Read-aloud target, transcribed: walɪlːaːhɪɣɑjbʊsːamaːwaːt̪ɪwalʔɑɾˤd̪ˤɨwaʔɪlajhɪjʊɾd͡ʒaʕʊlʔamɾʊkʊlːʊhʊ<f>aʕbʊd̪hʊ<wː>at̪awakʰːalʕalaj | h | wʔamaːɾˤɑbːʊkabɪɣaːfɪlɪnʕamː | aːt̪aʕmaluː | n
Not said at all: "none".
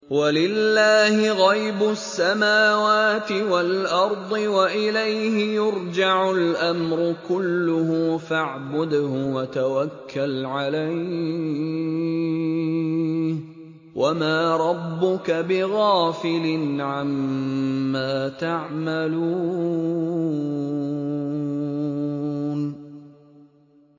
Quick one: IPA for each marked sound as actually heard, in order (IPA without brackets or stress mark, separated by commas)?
f, w